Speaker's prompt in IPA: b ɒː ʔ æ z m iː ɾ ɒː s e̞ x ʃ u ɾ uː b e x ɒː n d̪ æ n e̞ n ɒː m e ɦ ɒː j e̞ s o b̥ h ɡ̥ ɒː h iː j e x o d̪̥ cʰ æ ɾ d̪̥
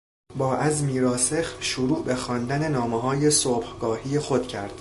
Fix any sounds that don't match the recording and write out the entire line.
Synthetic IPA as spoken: b ɒː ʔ æ z m iː ɾ ɒː s e̞ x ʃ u ɾ uː b e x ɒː n d̪ æ n e̞ n ɒː m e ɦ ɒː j e̞ s o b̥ h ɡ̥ ɒː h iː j e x o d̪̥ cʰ æ ɾ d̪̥